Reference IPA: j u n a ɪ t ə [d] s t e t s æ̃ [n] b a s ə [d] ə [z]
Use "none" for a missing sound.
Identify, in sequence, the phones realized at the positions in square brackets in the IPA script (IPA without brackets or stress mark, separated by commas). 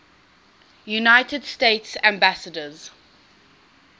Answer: d, m, d, z